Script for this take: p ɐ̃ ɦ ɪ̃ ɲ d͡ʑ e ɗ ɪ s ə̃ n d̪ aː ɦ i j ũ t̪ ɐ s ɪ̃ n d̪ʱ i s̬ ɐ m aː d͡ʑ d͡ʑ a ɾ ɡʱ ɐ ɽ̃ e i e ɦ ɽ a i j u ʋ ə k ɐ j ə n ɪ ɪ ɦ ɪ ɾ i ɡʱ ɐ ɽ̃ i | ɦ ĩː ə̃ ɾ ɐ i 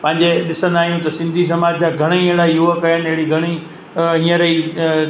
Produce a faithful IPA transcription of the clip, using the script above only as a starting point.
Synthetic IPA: p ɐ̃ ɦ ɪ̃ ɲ d͡ʑ e ɗ ɪ s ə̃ n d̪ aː ɦ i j ũ t̪ ɐ s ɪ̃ n d̪ʱ i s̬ ɐ m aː d͡ʑ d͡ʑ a ɡʱ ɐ ɽ̃ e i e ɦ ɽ a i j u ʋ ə k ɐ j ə n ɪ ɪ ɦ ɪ ɽ i ɡʱ ɐ ɽ̃ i | ɦ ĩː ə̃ ɾ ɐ i

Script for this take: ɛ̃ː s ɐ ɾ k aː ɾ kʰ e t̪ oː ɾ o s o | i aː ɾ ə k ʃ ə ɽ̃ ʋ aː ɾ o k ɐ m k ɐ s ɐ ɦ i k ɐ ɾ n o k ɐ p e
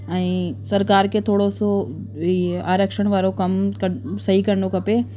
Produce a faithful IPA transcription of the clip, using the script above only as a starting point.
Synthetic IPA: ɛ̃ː s ɐ ɾ k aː ɾ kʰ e t̪ʰ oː ɽ o s o | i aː ɾ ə k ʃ ə ɽ̃ ʋ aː ɾ o k ɐ m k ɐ s ɐ ɦ i k ɐ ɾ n o k ɐ p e

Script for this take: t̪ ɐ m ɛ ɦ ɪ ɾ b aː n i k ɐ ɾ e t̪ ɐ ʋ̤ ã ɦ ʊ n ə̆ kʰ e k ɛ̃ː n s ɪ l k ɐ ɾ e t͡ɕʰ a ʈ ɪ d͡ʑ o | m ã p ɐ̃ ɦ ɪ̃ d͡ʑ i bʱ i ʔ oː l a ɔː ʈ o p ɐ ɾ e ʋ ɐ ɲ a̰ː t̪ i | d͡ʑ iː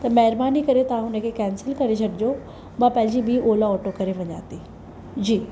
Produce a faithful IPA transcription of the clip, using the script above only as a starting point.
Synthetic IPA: t̪ ɐ m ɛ ɦ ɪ ɾ b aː n i k ɐ ɾ e t̪ ɐ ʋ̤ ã ɦ ʊ n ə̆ kʰ e k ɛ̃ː n s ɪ l k ɐ ɾ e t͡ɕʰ ɐ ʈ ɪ d͡ʑ o | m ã p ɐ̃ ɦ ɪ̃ d͡ʑ i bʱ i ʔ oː l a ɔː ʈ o k ɐ ɾ e ʋ ɐ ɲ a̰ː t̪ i | d͡ʑ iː

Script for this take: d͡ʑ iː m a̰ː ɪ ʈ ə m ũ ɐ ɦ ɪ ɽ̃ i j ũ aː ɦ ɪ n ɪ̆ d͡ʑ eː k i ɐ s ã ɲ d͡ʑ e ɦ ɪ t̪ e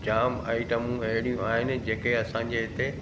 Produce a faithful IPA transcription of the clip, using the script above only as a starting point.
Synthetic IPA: d͡ʑ aː m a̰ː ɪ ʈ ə m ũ ɐ ɦ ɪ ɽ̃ i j ũ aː ɦ ɪ n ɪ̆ d͡ʑ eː k e ɐ s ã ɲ d͡ʑ e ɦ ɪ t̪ e

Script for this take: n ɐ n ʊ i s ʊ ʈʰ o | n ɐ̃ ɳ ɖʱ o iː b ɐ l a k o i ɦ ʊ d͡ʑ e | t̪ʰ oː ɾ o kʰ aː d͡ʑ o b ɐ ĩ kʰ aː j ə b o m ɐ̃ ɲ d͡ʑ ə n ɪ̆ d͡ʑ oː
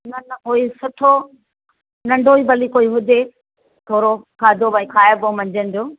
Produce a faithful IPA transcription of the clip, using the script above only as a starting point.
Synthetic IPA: n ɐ n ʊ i s ʊ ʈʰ o | n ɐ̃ ɳ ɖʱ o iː b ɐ l i k o i ɦ ʊ d͡ʑ e | t̪ʰ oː ɾ o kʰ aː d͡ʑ o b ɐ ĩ kʰ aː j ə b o m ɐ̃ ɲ d͡ʑ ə n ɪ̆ d͡ʑ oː

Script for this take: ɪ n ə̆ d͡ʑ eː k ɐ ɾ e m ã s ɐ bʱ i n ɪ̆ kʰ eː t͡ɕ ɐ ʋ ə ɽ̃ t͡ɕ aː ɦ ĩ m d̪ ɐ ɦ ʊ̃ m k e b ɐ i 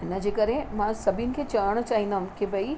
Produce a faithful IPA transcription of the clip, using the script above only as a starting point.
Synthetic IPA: ɪ n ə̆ d͡ʑ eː k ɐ ɾ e m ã s ɐ bʱ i n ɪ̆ kʰ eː t͡ɕ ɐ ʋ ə ɽ̃ t͡ɕ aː ɦ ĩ n d̪ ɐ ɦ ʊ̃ m k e b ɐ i

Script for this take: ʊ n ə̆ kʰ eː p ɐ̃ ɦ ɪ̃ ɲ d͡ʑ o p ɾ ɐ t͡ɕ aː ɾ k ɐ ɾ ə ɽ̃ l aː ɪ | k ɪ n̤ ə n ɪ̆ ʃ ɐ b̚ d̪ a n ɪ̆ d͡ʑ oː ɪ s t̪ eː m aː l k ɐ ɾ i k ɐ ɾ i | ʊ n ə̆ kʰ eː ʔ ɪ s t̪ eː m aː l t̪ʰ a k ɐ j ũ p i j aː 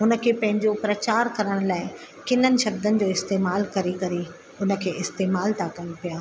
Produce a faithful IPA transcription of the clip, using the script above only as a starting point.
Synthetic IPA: ʊ n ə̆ kʰ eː p ɐ̃ ɦ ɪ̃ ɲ d͡ʑ o p ɾ ɐ t͡ɕ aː ɾ k ɐ ɾ ə ɽ̃ l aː ɪ | k ɪ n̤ ə n ɪ̆ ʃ ɐ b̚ d̪ ə n ɪ̆ d͡ʑ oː ɪ s t̪ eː m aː l k ɐ ɾ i k ɐ ɾ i | ʊ n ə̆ kʰ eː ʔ ɪ s t̪ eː m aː l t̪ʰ a k ɐ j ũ p i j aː

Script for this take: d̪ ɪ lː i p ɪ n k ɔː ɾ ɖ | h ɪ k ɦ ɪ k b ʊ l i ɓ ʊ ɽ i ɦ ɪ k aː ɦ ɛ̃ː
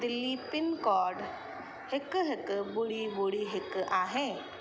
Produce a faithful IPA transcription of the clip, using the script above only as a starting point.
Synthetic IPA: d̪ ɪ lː i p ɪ n k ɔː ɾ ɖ | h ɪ k ɦ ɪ k b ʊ ɽ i b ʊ ɽ i ɦ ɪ k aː ɦ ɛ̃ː

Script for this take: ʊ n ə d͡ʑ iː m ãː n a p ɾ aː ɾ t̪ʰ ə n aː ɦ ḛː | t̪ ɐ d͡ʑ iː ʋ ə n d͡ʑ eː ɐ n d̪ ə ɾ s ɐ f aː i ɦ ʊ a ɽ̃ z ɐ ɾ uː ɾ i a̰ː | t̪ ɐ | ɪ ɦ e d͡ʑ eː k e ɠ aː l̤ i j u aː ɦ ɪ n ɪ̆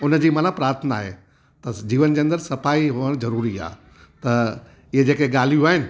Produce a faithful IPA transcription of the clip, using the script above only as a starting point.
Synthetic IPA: ʊ n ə d͡ʑ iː m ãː n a p ɾ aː ɾ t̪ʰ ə n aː ɦ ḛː | t̪ ɐ d͡ʑ iː ʋ ə n d͡ʑ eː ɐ n d̪ ə ɾ s ɐ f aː i ɦ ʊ ə ɽ̃ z ɐ ɾ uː ɾ i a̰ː | t̪ ɐ | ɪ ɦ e d͡ʑ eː k e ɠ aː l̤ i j u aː ɦ ɪ n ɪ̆

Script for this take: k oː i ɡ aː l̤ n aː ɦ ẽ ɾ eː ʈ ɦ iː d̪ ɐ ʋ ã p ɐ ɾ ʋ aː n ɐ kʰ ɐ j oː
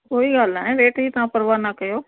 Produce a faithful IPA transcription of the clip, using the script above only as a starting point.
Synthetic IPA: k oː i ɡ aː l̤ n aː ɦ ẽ ɾ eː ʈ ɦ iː t̪ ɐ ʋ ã p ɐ ɾ ʋ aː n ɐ k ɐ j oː

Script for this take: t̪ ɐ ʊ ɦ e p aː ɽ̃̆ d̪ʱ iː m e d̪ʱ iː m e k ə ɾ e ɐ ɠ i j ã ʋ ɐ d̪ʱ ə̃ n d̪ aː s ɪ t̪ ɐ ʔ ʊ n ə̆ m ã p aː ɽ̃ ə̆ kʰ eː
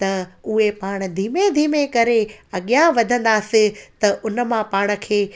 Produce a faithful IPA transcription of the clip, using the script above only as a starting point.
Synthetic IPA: t̪ ɐ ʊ ɦ e p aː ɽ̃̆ d̪ʱ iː m e d̪ʱ iː m e k ɐ ɾ e ɐ ɠ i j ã ʋ ɐ d̪ʱ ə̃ n d̪ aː s ɪ t̪ ɐ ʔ ʊ n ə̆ m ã p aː ɽ̃ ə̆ kʰ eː

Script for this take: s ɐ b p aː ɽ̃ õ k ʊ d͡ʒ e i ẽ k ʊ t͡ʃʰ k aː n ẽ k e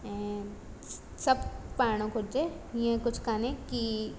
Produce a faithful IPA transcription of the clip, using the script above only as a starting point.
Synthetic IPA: s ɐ b p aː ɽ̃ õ k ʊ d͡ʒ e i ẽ k ʊ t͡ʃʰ k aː n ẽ k i

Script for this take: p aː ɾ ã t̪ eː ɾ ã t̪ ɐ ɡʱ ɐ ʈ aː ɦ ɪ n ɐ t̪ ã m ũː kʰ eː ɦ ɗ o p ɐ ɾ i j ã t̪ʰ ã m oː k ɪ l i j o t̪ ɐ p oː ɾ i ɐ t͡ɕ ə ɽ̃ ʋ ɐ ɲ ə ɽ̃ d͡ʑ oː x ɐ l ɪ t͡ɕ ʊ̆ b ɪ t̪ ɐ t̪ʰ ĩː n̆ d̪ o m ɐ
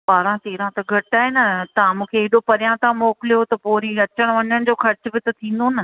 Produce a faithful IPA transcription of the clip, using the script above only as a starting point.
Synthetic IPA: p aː ɾ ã t̪ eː ɾ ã t̪ ɐ ɡʱ ɐ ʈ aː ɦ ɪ n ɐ t̪ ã m ũː kʰ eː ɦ ɗ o p ɐ ɾ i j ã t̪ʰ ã m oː k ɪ l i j o t̪ ɐ p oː ɾ i ɐ t͡ɕ ə ɽ̃ ʋ ɐ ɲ ə ɽ̃ d͡ʑ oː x ɐ ɾ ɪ t͡ɕ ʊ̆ b ɪ t̪ ɐ t̪ʰ ĩː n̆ d̪ o n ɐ

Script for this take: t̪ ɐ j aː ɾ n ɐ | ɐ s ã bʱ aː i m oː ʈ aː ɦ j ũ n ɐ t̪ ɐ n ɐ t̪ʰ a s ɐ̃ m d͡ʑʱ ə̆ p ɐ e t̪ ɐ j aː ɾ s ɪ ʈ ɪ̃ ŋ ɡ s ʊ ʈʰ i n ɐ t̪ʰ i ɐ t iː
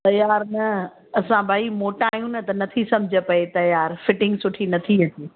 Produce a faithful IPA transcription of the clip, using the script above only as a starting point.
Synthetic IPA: t̪ ɐ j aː ɾ n ɐ | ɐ s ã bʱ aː i m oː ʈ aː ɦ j ũ n ɐ t̪ ɐ n ɐ t̪ʰ i s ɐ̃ m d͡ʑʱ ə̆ p ɐ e t̪ ɐ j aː ɾ f ɪ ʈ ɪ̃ ŋ ɡ s ʊ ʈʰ i n ɐ t̪ʰ i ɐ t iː

